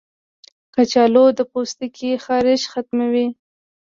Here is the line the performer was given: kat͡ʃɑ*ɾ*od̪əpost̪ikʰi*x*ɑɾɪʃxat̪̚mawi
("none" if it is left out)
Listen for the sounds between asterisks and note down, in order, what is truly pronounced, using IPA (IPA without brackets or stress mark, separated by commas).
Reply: l, x